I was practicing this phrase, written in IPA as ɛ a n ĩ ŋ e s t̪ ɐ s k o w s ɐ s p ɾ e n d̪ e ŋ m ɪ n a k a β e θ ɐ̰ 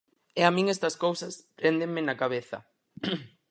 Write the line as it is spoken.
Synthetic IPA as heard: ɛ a m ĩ ŋ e s t̪ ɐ s k o w s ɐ s p ɾ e n d̪ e ŋ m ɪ n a k a β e θ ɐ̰